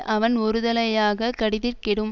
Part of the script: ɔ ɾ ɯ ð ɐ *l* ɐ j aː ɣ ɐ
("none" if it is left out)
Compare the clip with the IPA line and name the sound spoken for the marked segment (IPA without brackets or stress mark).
l